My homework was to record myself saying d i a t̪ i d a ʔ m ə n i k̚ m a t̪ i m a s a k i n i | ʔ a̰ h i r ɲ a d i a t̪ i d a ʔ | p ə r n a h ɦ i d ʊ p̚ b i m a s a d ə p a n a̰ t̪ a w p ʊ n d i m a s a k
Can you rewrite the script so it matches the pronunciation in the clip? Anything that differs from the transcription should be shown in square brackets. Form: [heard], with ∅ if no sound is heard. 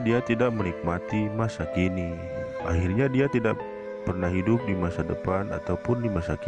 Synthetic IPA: d i a t̪ i d a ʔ m ə n i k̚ m a t̪ i m a s a k i n i | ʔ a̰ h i r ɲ a d i a t̪ i d a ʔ | p ə r n a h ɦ i d ʊ p̚ [d] i m a s a d ə p a n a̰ t̪ a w p ʊ n d i m a s a k